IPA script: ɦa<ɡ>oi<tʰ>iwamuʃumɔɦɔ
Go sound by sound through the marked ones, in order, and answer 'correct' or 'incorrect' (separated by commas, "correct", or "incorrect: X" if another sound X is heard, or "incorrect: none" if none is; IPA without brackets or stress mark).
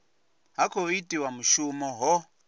incorrect: k, incorrect: t